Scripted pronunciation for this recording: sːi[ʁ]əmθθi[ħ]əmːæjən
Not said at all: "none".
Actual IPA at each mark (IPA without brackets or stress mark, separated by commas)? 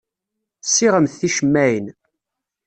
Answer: ʁ, ʃ